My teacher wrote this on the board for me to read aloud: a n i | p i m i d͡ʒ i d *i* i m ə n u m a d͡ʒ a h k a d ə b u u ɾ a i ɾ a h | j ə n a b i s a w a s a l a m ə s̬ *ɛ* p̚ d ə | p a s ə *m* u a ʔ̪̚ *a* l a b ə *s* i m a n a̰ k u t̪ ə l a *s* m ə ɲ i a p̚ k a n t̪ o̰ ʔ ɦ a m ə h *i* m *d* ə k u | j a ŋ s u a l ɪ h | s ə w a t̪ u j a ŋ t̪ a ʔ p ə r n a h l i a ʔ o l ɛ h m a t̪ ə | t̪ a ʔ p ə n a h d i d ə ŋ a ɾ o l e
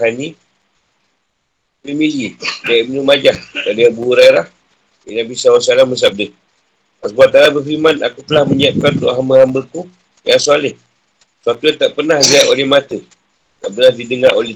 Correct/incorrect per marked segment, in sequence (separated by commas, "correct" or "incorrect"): incorrect, incorrect, incorrect, correct, incorrect, incorrect, incorrect, incorrect